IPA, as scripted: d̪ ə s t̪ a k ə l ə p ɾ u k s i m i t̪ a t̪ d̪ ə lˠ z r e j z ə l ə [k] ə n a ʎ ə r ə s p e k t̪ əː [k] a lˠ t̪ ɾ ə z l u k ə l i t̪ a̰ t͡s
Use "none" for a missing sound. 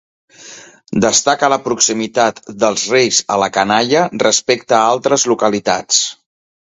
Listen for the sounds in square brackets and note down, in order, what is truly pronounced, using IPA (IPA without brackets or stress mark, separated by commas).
k, none